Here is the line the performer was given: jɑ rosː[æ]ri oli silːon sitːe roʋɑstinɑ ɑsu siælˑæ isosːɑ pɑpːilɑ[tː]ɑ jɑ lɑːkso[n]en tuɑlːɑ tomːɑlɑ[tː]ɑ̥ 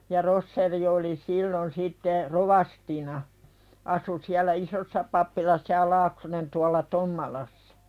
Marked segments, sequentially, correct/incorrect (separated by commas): incorrect, incorrect, correct, incorrect